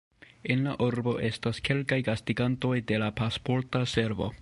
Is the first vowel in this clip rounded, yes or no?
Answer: no